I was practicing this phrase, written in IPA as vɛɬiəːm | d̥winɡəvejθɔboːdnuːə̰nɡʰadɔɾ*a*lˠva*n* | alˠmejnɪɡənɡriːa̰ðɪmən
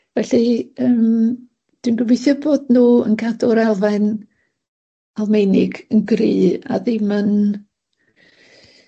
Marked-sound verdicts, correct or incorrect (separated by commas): correct, correct